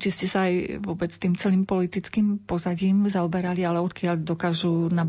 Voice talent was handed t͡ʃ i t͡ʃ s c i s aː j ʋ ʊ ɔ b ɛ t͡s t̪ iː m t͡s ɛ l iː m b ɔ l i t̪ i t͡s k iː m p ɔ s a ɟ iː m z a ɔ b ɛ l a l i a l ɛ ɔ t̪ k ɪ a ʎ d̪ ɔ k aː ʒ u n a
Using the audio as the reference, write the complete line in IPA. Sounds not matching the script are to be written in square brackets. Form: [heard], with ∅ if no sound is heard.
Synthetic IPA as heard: t͡ʃ i [∅] s c [ɛ] s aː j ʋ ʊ ɔ b ɛ t͡s t̪ iː m t͡s ɛ l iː m [p] ɔ l i t̪ i t͡s k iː m p ɔ [z] a ɟ iː m z a ɔ b ɛ [ɾ] a l i a l ɛ ɔ t̪ k ɪ a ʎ d̪ ɔ k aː ʒ u n a